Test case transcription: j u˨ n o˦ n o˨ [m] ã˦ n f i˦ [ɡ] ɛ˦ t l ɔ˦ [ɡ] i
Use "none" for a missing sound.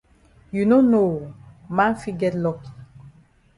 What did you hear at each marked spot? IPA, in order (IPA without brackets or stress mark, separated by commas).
m, ɡ, k